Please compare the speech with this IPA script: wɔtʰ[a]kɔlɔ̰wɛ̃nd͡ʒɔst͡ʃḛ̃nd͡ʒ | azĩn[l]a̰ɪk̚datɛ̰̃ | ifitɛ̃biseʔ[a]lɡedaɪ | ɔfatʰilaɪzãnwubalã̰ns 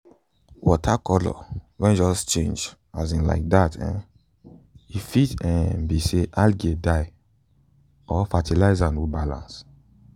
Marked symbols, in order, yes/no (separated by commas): yes, yes, yes